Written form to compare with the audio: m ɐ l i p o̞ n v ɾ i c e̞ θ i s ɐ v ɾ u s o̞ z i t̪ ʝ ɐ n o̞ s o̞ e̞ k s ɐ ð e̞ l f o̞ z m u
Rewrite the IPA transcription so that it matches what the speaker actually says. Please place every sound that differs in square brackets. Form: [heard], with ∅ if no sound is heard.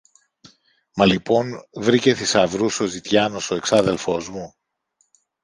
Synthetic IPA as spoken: m ɐ l i p o̞ n v ɾ i c e̞ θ i s ɐ v ɾ u s o̞ z i t̪ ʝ ɐ n o̞ s o̞ e̞ k s ɐ ð e̞ l f o̞ z m u